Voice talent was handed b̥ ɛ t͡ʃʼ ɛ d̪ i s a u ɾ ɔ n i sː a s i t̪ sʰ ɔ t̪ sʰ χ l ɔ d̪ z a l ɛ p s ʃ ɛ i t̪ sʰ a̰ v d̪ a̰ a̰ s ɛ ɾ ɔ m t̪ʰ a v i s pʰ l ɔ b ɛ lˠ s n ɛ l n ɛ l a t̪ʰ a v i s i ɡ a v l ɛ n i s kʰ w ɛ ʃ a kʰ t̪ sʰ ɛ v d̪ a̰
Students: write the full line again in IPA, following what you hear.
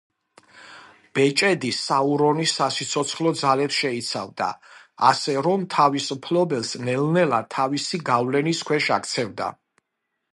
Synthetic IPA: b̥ ɛ t͡ʃʼ ɛ d̪ i s a u ɾ ɔ n i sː a s i t̪ sʰ ɔ t̪ sʰ χ l ɔ d̪ z a l ɛ p s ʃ ɛ i t̪ sʰ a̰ v d̪ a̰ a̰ s ɛ ɾ ɔ m t̪ʰ a v i s pʰ l ɔ b ɛ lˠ s n ɛ l n ɛ l a t̪ʰ a v i s i ɡ a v l ɛ n i s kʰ w ɛ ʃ a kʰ t̪ sʰ ɛ v d̪ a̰